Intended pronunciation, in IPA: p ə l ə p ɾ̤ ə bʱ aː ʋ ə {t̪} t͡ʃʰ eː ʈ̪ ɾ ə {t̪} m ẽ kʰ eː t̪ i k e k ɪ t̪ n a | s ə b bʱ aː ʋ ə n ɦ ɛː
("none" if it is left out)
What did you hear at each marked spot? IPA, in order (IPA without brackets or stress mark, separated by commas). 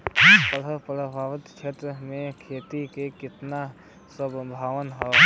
t̪, none